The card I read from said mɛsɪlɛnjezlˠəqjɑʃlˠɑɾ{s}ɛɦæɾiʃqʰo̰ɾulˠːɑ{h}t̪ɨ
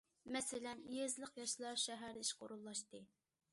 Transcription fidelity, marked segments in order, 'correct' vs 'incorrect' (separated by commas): incorrect, incorrect